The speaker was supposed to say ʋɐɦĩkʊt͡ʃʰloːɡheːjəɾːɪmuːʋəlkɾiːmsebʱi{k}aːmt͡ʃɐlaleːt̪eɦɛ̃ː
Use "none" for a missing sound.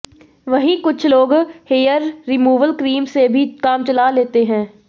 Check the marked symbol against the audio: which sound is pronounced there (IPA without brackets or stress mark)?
k